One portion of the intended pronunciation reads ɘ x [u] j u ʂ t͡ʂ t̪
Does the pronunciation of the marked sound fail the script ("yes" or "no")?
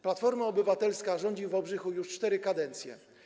no